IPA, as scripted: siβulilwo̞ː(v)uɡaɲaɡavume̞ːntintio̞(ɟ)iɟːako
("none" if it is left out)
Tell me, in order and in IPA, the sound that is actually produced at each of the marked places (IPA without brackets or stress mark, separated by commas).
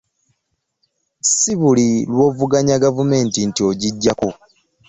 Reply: v, ɟ